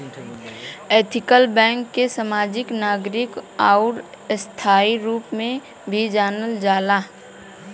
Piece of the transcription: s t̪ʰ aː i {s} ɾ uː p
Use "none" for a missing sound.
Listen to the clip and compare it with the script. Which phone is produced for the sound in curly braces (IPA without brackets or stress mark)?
none